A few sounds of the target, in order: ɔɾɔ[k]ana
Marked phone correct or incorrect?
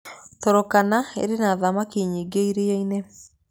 correct